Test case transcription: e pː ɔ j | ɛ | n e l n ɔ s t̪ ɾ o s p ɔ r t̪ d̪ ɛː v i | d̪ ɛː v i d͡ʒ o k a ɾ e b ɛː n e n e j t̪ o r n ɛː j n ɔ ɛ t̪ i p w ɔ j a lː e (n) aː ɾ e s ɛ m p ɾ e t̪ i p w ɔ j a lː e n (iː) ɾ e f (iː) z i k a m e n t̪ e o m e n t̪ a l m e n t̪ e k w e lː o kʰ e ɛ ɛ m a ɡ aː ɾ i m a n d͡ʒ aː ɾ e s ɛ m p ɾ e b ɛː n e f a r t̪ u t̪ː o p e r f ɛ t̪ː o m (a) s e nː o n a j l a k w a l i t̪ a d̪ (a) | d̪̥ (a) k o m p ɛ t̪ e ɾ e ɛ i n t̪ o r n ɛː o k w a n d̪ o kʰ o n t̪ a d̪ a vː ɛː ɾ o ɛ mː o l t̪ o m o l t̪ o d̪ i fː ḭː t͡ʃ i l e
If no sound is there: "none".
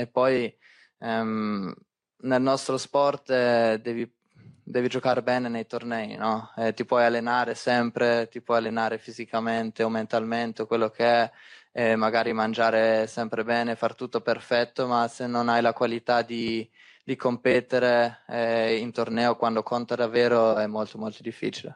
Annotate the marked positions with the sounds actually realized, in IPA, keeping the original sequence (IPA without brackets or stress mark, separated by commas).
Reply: n, aː, i, a, i, i